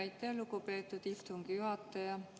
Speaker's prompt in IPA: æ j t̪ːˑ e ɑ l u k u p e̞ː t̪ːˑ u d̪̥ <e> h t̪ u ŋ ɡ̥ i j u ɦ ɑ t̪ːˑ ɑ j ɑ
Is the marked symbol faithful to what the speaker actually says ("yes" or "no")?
no